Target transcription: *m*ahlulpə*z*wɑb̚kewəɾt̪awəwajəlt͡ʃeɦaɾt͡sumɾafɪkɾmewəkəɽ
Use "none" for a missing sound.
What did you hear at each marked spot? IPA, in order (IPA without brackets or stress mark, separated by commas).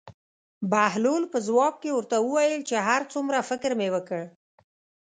b, z